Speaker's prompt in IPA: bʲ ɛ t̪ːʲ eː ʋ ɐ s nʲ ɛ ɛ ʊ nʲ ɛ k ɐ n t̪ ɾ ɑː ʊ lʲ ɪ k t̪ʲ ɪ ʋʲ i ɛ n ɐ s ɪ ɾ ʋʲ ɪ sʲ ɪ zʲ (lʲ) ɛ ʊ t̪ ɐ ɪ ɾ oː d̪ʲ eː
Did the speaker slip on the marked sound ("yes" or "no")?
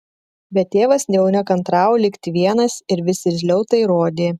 no